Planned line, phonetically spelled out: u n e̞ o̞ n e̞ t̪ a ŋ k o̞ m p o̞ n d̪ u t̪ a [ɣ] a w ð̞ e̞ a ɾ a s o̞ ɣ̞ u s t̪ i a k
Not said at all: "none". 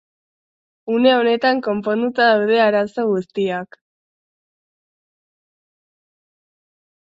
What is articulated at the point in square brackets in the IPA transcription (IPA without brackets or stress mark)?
ð